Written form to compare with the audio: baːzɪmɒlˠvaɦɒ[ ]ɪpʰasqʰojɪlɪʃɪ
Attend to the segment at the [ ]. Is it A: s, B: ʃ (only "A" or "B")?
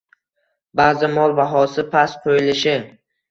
A